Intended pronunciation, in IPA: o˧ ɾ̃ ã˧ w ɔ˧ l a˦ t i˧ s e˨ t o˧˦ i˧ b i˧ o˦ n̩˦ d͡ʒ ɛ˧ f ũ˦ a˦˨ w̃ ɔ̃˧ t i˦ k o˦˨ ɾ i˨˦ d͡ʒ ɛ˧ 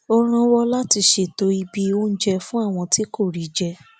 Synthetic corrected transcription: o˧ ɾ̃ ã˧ w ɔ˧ l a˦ t i˧ ʃ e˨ t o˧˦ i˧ b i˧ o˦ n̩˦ d͡ʒ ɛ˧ f ũ˦ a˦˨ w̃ ɔ̃˧ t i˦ k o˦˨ ɾ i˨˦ d͡ʒ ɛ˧